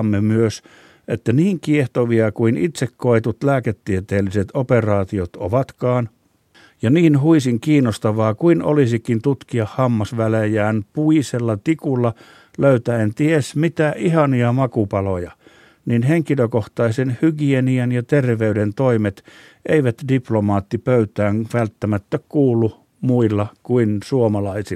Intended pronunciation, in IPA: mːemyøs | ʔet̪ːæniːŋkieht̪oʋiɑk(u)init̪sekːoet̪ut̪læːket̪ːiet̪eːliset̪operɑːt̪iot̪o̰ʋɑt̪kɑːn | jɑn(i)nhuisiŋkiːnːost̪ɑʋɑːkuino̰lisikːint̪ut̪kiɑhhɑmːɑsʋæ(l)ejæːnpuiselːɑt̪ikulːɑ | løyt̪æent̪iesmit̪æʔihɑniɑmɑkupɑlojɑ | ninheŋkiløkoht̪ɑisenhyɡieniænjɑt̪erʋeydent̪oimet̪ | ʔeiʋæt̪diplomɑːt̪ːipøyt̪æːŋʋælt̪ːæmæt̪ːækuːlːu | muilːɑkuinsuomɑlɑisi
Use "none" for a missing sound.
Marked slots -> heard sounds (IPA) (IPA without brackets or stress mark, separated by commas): u, iː, l